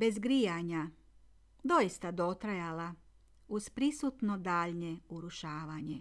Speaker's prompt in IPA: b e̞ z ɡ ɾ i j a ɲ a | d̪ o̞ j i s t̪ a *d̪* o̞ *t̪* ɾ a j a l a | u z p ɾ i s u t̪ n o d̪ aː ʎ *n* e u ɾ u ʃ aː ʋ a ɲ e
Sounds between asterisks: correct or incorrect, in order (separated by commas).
correct, correct, incorrect